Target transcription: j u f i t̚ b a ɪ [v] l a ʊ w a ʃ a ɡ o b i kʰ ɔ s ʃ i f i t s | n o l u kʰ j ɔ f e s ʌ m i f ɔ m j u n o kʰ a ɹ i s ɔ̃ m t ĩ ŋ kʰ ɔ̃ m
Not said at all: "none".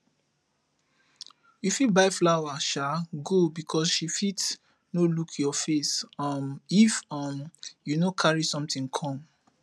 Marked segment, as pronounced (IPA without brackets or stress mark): f